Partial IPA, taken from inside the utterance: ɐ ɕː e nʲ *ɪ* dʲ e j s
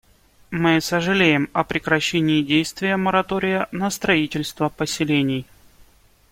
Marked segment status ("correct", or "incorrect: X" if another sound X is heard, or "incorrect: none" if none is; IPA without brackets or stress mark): incorrect: ɪː